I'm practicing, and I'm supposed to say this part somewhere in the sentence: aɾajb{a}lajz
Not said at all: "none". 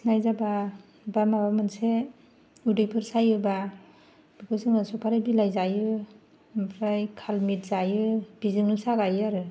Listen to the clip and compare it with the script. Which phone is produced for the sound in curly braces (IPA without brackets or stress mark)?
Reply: i